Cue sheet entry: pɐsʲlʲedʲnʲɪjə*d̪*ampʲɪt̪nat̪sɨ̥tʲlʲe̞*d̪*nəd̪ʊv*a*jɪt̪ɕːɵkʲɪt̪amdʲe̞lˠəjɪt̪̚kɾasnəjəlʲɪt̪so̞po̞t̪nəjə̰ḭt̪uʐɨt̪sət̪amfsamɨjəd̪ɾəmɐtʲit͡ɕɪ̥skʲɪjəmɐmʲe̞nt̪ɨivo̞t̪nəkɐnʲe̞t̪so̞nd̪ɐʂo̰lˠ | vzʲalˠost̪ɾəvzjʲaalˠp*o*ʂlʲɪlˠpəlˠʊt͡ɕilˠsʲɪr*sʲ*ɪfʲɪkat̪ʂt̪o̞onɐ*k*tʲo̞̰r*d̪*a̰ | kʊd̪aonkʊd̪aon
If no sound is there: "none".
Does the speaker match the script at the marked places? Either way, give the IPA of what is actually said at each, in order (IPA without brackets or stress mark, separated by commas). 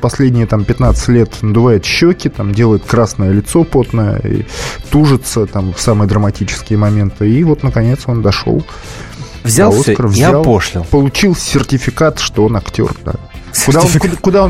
t̪, t̪, a, o, tʲ, k, d̪